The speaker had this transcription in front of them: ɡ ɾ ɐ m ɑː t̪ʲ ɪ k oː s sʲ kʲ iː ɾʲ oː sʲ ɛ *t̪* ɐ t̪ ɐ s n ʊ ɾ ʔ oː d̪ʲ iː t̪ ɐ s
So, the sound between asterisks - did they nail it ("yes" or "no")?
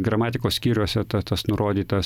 yes